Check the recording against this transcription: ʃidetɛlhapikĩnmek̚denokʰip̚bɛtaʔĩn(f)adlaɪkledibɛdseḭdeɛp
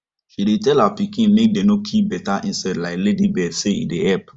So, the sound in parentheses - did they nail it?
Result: no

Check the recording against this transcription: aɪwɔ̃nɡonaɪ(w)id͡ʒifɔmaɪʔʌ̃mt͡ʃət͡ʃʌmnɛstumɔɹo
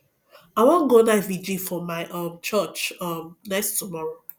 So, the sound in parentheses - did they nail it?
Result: no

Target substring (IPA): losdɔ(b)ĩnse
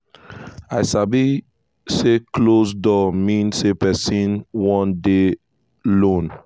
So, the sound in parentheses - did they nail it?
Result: no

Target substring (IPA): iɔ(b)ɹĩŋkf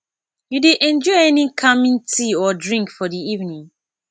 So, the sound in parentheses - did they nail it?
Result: no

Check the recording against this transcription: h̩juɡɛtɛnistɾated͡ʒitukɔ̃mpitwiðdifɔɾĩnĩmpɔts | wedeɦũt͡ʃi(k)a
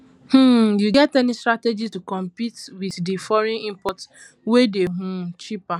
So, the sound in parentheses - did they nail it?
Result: no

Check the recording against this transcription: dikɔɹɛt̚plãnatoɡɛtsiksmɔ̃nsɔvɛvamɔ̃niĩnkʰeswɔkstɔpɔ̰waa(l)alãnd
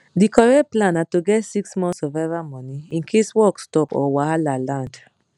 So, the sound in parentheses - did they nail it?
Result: yes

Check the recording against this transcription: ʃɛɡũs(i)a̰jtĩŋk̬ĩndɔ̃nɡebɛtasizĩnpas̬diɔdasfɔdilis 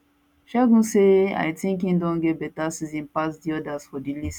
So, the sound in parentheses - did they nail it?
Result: no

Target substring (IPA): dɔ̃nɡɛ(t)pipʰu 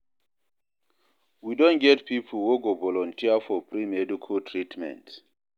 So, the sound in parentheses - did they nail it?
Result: yes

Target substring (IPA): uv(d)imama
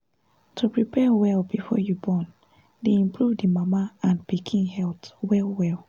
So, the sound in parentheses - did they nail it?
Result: yes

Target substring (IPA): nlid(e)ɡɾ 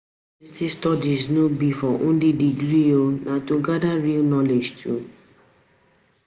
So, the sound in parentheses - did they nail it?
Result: no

